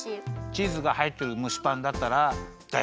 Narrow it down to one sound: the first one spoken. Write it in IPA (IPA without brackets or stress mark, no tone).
t͡ɕ